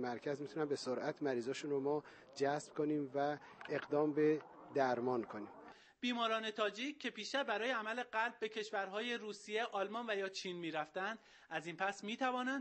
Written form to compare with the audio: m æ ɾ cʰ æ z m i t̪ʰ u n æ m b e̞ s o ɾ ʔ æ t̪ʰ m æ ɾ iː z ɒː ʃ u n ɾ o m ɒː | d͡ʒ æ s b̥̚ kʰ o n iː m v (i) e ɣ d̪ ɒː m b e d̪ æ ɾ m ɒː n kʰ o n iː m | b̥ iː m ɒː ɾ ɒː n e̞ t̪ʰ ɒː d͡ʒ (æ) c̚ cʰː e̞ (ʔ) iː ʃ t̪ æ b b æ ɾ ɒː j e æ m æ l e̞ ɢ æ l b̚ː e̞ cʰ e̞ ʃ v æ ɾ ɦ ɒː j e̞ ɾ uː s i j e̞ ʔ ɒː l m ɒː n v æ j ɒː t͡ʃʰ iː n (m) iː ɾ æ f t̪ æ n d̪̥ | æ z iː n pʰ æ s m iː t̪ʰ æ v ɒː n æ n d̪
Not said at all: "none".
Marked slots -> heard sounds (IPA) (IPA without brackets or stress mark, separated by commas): æ, i, p, m